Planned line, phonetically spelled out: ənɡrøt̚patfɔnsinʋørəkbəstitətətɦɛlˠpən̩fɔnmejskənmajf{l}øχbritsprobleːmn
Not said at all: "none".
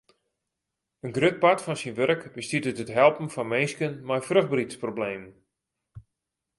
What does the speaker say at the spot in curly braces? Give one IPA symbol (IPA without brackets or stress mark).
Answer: r